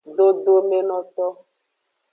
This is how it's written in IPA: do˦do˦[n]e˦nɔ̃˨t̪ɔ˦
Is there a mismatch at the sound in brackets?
yes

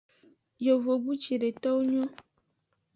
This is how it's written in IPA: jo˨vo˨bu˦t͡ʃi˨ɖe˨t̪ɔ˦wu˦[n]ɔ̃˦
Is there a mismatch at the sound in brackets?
yes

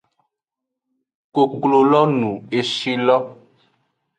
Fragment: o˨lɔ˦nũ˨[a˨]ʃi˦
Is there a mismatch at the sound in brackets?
yes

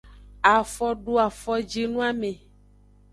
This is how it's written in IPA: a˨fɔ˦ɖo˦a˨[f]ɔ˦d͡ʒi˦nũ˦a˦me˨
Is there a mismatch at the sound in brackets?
no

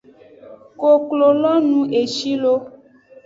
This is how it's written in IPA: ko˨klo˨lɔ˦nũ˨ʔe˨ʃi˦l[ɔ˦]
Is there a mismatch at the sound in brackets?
yes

